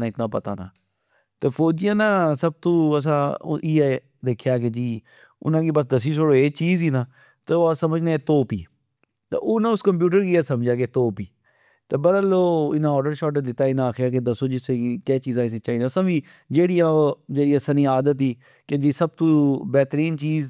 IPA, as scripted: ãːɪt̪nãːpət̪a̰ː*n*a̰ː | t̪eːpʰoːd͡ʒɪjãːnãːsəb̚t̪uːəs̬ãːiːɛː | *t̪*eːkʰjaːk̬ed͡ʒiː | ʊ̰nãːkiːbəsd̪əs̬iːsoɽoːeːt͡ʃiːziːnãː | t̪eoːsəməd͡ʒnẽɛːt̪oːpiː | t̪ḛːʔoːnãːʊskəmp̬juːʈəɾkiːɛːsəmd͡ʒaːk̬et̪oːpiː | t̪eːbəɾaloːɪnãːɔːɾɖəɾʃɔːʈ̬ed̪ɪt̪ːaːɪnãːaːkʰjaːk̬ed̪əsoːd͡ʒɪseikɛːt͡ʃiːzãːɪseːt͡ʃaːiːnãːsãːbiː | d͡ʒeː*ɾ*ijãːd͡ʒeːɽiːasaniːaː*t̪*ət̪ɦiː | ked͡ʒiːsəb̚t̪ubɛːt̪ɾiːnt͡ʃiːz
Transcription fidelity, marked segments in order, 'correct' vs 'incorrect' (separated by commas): correct, incorrect, incorrect, incorrect